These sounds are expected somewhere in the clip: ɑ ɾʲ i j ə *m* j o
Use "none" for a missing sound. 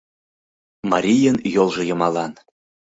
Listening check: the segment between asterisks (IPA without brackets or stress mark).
n